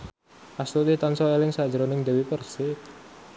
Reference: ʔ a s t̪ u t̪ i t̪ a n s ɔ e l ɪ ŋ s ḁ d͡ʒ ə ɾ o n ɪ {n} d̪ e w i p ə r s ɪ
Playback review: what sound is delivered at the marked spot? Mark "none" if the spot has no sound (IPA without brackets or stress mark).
ŋ